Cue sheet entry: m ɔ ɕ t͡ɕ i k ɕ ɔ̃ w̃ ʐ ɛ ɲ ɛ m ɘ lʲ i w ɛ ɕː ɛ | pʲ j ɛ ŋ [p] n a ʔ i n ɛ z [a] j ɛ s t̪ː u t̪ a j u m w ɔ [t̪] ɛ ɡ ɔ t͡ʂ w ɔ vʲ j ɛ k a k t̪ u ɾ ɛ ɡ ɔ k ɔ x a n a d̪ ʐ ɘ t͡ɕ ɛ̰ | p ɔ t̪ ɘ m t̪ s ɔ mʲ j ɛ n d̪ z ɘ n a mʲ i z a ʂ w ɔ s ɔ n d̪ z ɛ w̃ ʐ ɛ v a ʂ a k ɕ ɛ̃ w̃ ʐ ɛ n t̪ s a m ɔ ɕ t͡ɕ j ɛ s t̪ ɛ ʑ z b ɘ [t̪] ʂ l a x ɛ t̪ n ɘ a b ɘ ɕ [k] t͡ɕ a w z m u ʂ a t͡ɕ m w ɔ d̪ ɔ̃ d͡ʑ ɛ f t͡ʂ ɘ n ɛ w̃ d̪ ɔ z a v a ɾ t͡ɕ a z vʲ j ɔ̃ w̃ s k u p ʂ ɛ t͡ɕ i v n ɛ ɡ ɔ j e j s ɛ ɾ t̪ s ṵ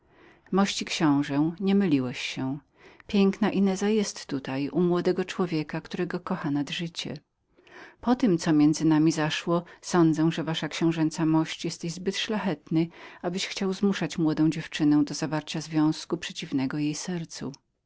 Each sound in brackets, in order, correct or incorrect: incorrect: k, correct, incorrect: d̪, correct, incorrect: x

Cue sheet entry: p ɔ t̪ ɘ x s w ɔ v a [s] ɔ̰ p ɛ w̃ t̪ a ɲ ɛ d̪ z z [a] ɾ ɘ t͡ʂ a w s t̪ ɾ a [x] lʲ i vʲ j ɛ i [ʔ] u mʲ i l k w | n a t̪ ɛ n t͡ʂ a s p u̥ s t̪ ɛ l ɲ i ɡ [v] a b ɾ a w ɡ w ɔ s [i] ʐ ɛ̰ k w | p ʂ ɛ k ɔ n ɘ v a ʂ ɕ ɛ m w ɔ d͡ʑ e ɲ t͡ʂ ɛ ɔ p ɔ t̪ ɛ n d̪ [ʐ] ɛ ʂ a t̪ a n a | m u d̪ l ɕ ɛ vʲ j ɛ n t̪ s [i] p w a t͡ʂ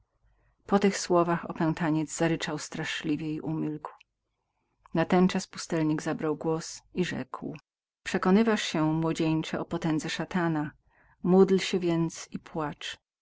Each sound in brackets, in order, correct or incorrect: incorrect: x, correct, incorrect: ʂ, correct, incorrect: z, correct, incorrect: z, correct

